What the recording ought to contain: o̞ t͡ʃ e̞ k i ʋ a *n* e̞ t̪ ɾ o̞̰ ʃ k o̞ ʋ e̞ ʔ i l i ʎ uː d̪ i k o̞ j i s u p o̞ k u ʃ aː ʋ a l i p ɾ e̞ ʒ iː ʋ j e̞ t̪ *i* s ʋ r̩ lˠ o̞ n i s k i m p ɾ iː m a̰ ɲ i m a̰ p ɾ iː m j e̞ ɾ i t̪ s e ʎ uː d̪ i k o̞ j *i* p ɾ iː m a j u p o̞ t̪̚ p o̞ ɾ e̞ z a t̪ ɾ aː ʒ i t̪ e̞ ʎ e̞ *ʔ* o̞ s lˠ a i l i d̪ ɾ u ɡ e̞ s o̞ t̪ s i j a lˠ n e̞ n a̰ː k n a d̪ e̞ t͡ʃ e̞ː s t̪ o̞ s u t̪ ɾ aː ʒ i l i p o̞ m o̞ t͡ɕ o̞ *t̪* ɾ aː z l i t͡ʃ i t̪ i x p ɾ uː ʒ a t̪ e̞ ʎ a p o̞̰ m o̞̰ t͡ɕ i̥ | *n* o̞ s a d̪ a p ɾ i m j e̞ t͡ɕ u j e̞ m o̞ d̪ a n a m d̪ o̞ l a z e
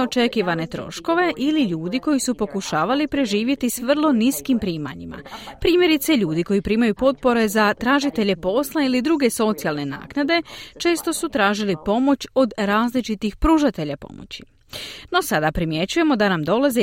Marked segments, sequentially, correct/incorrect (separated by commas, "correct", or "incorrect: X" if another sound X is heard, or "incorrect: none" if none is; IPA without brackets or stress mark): correct, correct, correct, incorrect: p, incorrect: d̪, correct